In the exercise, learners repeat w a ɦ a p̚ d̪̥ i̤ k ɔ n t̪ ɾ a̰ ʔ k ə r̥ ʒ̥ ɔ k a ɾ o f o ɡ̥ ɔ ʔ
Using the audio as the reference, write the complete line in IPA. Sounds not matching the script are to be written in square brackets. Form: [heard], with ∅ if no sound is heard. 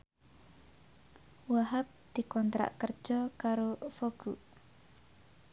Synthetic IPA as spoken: w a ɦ a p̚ d̪̥ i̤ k ɔ n t̪ ɾ a̰ ʔ k ə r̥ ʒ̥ ɔ k a ɾ o f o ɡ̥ [u] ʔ